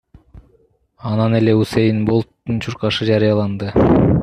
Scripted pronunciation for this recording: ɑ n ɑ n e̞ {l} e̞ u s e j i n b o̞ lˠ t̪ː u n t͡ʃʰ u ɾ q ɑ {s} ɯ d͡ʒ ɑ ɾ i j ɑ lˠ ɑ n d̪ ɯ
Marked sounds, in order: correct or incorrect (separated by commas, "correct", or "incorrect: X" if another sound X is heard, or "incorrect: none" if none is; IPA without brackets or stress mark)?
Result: correct, incorrect: ʃ